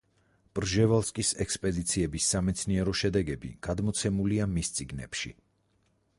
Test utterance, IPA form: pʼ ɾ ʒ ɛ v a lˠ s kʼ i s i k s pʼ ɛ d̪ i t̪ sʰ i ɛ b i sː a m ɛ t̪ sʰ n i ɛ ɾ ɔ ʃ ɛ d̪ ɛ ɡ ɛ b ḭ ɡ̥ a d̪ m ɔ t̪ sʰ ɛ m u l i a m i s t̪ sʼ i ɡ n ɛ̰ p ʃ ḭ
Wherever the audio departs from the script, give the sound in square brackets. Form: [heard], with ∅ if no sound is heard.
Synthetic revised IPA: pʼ ɾ ʒ ɛ v a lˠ s kʼ i s [ɛ] k s pʼ ɛ d̪ i t̪ sʰ i ɛ b i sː a m ɛ t̪ sʰ n i ɛ ɾ ɔ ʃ ɛ d̪ ɛ ɡ ɛ b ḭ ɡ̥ a d̪ m ɔ t̪ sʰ ɛ m u l i a m i s t̪ sʼ i ɡ n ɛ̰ p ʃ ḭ